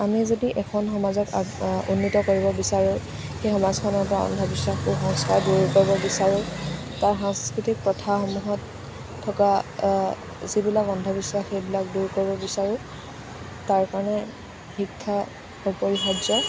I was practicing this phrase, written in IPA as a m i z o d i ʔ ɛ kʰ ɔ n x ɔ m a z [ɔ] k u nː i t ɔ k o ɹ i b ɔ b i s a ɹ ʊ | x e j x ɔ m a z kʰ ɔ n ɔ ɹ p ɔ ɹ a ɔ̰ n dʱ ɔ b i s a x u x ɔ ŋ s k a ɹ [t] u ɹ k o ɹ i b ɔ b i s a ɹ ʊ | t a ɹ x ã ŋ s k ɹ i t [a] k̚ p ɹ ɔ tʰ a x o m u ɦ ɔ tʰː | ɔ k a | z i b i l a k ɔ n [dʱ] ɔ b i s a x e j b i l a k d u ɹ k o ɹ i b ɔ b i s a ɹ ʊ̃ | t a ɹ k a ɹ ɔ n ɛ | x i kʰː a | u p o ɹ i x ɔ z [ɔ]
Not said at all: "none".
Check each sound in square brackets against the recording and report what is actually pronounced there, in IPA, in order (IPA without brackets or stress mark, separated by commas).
ɔ, d, i, dʱ, ɔ